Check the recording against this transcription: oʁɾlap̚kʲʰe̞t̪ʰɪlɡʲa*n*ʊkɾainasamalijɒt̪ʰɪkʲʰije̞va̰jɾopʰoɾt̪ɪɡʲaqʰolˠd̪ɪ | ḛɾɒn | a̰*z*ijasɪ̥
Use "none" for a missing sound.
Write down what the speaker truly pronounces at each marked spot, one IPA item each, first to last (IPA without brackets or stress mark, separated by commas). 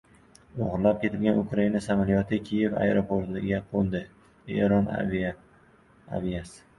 n, v